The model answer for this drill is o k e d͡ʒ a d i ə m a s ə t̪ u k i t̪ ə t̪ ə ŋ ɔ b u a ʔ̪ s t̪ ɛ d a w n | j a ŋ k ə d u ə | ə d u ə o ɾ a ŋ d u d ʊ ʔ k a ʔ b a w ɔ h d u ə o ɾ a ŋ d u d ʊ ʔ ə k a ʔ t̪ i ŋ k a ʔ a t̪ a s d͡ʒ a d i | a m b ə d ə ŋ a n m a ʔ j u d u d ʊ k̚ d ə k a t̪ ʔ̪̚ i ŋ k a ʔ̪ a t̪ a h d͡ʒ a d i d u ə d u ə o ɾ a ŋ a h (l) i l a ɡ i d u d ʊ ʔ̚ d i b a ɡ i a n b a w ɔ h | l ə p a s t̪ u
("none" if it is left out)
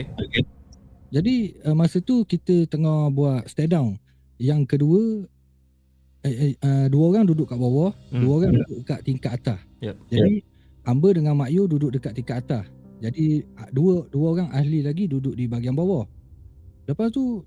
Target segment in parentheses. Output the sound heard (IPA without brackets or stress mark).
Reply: l